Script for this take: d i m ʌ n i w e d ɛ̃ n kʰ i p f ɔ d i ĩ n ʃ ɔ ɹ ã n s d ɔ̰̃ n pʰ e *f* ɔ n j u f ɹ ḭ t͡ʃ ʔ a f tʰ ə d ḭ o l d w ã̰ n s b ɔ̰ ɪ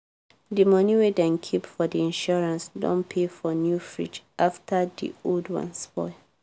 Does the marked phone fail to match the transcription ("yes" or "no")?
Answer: no